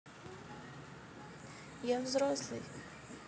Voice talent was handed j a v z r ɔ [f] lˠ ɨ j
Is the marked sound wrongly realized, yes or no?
yes